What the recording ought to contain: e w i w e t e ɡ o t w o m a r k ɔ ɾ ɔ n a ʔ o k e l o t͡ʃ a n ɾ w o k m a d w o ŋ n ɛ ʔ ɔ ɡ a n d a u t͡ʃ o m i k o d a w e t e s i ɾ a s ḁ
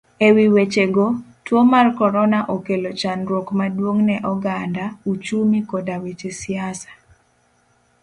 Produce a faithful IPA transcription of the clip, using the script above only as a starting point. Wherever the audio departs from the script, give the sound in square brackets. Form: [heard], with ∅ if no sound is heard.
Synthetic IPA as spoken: e w i w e [t͡ʃ] e ɡ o t w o m a r k ɔ ɾ ɔ n a ʔ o k e l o t͡ʃ a n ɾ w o k m a d w o ŋ n ɛ ʔ ɔ ɡ a n d a u t͡ʃ [u] m i k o d a w e [t͡ʃ] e s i [∅] a s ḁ